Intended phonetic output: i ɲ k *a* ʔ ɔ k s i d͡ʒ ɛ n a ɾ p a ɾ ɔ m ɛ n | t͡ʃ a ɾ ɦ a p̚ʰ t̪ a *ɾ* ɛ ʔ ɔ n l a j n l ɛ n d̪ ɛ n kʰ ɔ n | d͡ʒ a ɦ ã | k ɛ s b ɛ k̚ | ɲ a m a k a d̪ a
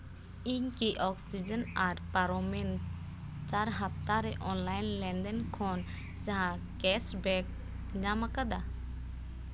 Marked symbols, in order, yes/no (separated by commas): no, yes